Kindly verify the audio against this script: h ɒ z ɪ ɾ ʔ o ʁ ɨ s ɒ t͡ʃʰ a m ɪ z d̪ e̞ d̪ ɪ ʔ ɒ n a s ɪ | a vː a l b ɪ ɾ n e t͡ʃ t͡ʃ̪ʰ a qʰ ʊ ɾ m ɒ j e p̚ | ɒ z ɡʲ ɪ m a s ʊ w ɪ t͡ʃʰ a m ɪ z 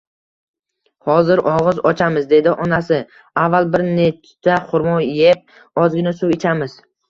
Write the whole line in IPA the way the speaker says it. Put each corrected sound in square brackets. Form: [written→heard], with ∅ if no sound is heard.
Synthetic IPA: h ɒ z ɪ ɾ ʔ [o→ɒ] ʁ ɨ [s→z] ɒ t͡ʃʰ a m ɪ z d̪ e̞ d̪ ɪ ʔ ɒ n a s ɪ | a vː a l b ɪ ɾ n e t͡ʃ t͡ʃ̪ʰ a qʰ ʊ ɾ m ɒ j e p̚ | ɒ z ɡʲ ɪ [m→n] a s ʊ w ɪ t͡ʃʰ a m ɪ z